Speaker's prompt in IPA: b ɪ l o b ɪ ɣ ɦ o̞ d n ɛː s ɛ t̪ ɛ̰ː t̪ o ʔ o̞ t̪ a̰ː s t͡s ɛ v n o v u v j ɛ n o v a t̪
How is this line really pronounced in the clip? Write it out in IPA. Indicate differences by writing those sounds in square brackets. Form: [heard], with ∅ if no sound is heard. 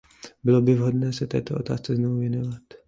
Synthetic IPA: b ɪ l o b ɪ [v] ɦ o̞ d n ɛː s ɛ t̪ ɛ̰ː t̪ o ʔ o̞ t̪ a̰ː s t͡s ɛ [z] n o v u v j ɛ n o v a t̪